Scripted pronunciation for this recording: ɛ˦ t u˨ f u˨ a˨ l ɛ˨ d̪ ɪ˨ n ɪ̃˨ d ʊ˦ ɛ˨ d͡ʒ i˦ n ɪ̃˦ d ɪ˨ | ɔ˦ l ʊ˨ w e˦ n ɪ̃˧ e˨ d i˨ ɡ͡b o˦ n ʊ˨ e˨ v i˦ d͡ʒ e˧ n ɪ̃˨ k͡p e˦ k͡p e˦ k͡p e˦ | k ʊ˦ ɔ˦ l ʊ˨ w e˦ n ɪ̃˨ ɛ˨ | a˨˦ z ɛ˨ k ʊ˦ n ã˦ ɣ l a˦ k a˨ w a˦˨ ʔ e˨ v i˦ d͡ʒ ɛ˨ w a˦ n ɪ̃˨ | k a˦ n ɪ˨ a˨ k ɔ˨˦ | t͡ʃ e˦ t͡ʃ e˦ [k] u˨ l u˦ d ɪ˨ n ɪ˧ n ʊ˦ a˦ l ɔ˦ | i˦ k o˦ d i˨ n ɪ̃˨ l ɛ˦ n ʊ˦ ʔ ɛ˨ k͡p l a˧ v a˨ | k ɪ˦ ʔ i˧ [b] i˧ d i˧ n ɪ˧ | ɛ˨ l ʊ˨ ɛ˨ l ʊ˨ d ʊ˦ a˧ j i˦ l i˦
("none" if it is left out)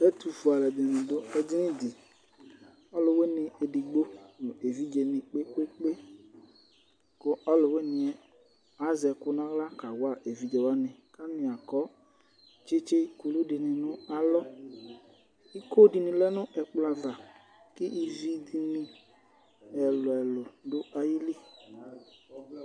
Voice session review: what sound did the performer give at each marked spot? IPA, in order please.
k, v

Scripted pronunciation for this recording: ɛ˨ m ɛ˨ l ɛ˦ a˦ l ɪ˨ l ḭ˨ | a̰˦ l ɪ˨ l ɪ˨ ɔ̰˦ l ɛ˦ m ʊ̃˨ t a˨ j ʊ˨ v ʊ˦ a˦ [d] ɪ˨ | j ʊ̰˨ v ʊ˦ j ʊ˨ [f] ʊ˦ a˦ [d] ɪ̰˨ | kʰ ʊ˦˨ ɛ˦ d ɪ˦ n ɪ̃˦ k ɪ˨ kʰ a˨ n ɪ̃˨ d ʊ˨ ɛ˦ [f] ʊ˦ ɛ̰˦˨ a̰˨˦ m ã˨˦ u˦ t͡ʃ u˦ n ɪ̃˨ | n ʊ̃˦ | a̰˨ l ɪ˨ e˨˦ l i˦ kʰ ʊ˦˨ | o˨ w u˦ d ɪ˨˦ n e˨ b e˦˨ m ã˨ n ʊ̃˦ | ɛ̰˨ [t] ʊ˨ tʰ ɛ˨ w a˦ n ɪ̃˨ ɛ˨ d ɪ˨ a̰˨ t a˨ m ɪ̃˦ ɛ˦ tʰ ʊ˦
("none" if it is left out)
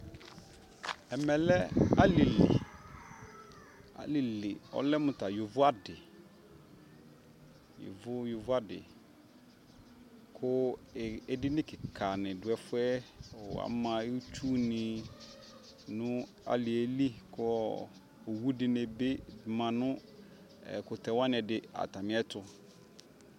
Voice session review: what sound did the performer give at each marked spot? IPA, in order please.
d, v, d, f, k

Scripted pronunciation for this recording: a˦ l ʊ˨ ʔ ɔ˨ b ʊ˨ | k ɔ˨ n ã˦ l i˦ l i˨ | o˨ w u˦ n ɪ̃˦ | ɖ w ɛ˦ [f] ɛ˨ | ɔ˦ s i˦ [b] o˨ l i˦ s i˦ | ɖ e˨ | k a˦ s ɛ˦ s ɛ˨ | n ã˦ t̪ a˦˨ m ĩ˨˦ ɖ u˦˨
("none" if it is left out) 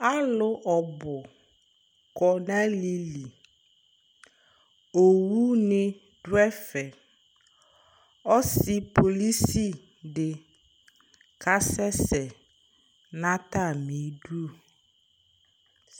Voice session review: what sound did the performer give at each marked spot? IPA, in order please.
f, p

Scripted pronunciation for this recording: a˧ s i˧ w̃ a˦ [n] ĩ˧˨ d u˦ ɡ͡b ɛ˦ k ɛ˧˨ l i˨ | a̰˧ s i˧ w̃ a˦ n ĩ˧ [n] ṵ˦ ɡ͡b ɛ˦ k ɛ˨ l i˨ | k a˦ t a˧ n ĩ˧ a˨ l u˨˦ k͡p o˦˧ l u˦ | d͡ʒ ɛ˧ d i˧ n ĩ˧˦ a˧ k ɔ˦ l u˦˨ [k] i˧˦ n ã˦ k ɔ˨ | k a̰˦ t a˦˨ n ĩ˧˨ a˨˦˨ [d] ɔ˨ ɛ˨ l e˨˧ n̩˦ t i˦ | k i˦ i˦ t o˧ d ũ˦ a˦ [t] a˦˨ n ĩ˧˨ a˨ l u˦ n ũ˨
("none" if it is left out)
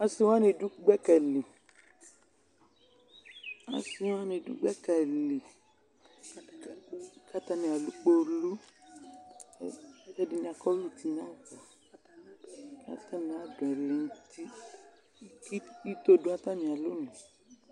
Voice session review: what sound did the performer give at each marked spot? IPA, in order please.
n, d, t, d, t

